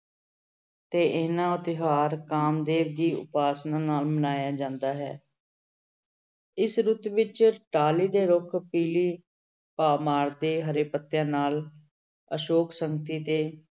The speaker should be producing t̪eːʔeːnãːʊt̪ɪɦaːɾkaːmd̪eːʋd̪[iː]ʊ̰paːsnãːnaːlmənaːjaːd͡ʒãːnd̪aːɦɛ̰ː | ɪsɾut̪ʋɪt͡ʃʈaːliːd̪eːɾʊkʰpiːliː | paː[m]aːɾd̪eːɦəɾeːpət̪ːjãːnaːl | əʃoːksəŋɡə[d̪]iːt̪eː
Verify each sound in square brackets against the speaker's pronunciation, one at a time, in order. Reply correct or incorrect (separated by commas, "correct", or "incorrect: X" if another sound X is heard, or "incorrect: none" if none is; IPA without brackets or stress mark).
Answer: correct, correct, incorrect: t̪